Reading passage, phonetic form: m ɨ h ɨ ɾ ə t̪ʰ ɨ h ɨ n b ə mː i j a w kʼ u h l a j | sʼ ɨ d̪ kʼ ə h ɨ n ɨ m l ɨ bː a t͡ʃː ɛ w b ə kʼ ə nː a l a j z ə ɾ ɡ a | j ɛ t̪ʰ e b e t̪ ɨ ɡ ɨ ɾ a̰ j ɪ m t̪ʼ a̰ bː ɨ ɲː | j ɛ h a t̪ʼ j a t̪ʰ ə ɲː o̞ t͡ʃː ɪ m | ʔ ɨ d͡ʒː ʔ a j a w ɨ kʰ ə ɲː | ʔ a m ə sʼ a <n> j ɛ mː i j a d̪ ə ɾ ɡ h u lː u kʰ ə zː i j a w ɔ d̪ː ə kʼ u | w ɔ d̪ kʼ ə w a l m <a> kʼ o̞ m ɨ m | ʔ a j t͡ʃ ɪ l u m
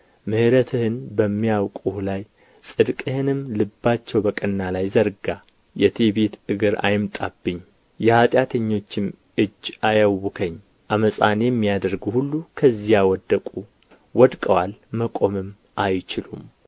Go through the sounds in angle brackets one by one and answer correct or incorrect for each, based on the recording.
correct, incorrect

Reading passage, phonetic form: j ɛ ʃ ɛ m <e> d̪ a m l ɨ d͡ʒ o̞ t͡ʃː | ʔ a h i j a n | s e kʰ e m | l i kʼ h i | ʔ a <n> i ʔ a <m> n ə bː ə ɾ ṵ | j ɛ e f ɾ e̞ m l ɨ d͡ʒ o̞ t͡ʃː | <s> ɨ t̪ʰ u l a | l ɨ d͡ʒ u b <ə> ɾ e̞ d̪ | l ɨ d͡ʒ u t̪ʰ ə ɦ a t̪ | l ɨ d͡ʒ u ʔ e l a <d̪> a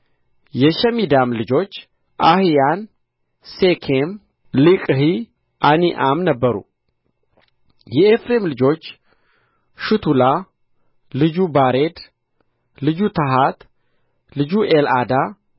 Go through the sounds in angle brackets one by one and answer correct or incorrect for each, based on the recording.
incorrect, correct, correct, incorrect, incorrect, correct

